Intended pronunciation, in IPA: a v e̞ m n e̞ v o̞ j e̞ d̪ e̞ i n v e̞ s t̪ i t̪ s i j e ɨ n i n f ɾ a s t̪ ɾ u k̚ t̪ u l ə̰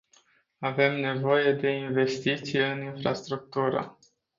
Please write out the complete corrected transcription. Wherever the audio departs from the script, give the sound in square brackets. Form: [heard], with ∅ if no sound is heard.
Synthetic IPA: a v e̞ m n e̞ v o̞ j e̞ d̪ e̞ i n v e̞ s t̪ i t̪ s i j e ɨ n i n f ɾ a s t̪ ɾ u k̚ t̪ u [ɾ] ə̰